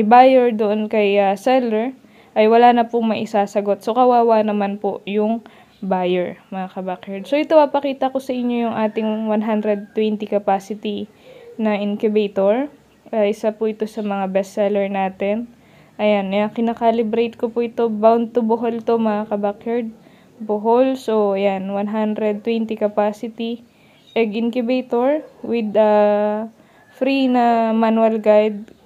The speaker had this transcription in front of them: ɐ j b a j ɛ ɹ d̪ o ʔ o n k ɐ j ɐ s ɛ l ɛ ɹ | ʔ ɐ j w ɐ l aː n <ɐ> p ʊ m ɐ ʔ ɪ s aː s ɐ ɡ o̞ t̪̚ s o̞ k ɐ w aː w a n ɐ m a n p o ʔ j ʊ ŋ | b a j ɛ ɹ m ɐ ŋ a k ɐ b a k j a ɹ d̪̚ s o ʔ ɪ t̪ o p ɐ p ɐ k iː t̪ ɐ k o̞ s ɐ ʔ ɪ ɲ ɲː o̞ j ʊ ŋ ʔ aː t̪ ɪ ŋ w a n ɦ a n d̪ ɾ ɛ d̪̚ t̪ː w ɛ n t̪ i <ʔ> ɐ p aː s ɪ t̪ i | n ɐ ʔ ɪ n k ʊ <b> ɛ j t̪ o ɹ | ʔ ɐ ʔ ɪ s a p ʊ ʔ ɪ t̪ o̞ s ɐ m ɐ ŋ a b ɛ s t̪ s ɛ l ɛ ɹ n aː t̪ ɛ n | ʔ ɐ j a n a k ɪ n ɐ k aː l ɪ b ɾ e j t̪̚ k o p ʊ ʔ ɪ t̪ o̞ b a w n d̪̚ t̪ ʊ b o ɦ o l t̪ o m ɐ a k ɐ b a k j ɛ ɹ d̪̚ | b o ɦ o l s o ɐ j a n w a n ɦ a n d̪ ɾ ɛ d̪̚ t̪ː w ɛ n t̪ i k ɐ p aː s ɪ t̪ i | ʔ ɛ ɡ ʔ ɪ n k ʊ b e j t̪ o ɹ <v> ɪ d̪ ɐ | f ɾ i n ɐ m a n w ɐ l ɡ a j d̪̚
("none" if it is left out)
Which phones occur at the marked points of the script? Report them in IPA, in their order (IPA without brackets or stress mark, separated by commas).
ɐ, k, b, w